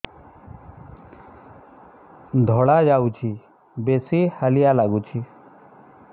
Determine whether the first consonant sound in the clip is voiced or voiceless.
voiced